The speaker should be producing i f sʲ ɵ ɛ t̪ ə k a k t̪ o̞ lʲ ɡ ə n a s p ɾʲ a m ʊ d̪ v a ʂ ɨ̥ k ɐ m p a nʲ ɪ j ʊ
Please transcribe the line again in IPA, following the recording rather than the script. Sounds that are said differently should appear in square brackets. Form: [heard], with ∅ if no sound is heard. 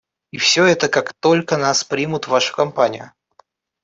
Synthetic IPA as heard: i f sʲ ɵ ɛ t̪ ə k a k t̪ o̞ lʲ [k] ə n a s p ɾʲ [i] m ʊ [t̪] v a ʂ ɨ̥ k ɐ m p a nʲ ɪ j ʊ

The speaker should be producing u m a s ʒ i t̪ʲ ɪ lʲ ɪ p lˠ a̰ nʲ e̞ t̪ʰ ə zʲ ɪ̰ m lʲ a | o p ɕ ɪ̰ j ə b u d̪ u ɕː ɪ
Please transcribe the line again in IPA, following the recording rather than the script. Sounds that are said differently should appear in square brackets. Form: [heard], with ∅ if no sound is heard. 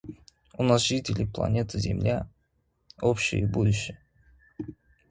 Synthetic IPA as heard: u [n] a s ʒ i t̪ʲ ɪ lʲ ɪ p lˠ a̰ nʲ e̞ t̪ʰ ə zʲ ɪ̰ m lʲ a | o p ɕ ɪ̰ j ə b u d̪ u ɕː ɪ

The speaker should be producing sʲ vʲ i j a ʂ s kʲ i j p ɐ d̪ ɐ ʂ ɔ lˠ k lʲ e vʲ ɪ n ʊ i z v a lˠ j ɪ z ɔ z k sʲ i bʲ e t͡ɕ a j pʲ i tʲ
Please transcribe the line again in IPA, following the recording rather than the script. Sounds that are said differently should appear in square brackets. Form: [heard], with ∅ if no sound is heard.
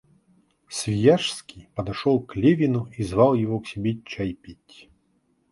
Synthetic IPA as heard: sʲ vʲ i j a ʂ s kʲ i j p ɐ d̪ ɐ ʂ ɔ lˠ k lʲ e vʲ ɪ n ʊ i z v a lˠ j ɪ [v] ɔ [∅] k sʲ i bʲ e t͡ɕ a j pʲ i tʲ

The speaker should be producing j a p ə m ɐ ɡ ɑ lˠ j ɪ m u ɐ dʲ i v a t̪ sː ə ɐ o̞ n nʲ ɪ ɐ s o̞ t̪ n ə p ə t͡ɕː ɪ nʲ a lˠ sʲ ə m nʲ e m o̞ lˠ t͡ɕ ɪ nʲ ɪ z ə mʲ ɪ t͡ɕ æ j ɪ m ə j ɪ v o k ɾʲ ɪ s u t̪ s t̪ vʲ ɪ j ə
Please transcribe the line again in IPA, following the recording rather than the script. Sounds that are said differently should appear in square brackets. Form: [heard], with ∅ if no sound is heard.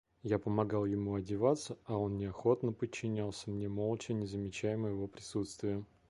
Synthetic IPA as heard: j a p ə m ɐ ɡ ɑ lˠ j ɪ m u ɐ dʲ [ɪ] v a t̪ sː ə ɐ o̞ n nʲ ɪ ɐ [x] o̞ t̪ n ə p ə t͡ɕː ɪ nʲ a lˠ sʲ ə m nʲ e m o̞ lˠ t͡ɕ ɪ nʲ ɪ z ə mʲ ɪ t͡ɕ æ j ɪ m ə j ɪ v o [p] ɾʲ ɪ s u t̪ s t̪ vʲ ɪ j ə

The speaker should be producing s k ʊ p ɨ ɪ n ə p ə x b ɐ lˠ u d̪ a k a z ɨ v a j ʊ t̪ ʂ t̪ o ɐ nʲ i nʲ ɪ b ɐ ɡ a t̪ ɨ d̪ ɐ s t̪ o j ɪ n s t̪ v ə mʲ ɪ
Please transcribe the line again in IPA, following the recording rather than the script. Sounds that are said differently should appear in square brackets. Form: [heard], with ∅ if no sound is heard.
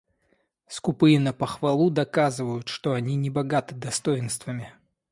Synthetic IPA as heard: s k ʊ p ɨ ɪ n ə p ə x [v] ɐ lˠ u d̪ [ɐ] k a z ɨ v [ə] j ʊ t̪ ʂ t̪ o ɐ nʲ i nʲ ɪ b ɐ ɡ a t̪ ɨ d̪ ɐ s t̪ o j ɪ n s t̪ v ə mʲ ɪ

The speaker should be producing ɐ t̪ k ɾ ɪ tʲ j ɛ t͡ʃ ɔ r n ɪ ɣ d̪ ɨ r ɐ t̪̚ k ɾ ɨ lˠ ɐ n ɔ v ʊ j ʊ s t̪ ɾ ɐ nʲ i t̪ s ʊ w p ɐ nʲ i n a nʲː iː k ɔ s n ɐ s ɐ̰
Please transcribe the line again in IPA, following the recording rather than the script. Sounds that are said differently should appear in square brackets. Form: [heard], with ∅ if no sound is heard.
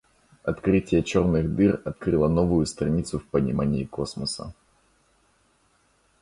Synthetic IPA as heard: ɐ t̪ k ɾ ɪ tʲ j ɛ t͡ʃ ɔ r n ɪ ɣ d̪ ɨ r ɐ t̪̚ k ɾ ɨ lˠ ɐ n ɔ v ʊ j ʊ s t̪ ɾ ɐ nʲ i t̪ s ʊ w p ɐ nʲ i [m] a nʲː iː k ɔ s [m] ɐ s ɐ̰

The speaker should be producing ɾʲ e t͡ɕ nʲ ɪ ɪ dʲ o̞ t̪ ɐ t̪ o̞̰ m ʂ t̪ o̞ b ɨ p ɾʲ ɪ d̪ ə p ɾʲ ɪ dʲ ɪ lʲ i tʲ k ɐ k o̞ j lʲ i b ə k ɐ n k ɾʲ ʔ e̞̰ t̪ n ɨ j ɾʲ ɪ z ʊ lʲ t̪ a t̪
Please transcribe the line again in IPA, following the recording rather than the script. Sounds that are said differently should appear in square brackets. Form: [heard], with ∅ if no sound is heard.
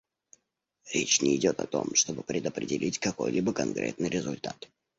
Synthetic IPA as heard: ɾʲ e t͡ɕ nʲ ɪ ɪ dʲ o̞ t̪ ɐ t̪ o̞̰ m ʂ t̪ o̞ b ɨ p ɾʲ ɪ d̪ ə p ɾʲ ɪ dʲ ɪ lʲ i tʲ k ɐ k o̞ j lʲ i b ə k ɐ n k ɾʲ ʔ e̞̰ t̪ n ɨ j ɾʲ ɪ z ʊ lʲ t̪ a t̪

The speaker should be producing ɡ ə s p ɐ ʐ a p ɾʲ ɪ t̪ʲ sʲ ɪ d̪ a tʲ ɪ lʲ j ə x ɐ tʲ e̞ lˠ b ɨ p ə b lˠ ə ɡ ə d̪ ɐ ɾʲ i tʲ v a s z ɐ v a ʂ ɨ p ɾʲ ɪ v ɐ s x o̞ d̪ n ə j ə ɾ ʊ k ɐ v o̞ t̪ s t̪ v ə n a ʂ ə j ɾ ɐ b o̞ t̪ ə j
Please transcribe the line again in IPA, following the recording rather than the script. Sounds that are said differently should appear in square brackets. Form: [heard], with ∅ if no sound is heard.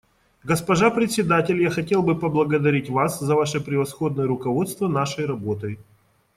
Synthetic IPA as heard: ɡ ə s p ɐ ʐ a p ɾʲ ɪ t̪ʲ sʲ ɪ d̪ a tʲ ɪ lʲ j [a] x ɐ tʲ e̞ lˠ b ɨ p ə b lˠ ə ɡ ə d̪ ɐ ɾʲ i tʲ v a s z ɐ v a ʂ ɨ p ɾʲ ɪ v ɐ s x o̞ d̪ n ə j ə ɾ ʊ k ɐ v o̞ t̪ s t̪ v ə n a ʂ ə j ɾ ɐ b o̞ t̪ ə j

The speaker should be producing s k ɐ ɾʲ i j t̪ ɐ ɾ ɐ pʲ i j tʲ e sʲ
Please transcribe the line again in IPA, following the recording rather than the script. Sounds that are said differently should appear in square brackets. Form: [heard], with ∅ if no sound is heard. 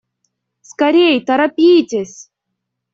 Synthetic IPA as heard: s k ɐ ɾʲ [e] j t̪ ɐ ɾ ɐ pʲ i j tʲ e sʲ

